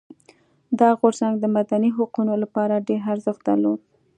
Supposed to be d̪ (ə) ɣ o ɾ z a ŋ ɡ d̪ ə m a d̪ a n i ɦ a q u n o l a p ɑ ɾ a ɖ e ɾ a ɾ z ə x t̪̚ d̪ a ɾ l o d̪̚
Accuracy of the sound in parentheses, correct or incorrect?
incorrect